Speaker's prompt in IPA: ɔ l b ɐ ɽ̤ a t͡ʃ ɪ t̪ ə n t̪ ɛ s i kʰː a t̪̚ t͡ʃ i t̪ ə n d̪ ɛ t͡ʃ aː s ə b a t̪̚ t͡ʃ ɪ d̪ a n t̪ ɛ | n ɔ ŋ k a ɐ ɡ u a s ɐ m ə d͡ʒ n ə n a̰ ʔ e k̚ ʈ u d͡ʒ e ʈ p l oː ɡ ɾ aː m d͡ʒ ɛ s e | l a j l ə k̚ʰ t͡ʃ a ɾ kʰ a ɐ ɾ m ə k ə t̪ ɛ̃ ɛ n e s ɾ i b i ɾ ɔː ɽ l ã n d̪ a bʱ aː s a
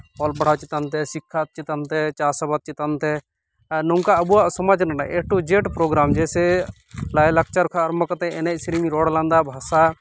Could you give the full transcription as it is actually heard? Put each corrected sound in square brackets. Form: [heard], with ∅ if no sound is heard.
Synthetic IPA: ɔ l b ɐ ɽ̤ a t͡ʃ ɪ t̪ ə n t̪ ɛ s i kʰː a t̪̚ t͡ʃ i t̪ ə n [t̪] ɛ t͡ʃ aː s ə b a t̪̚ t͡ʃ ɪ [t̪] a n t̪ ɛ | n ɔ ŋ k a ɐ [b] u a s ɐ m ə d͡ʒ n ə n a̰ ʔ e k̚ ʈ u d͡ʒ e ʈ p [ɾ] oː ɡ ɾ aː m d͡ʒ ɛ s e | l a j l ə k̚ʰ t͡ʃ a ɾ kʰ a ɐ ɾ m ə k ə t̪ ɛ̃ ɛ n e s ɾ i [m] i ɾ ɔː ɽ l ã n d̪ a bʱ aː s a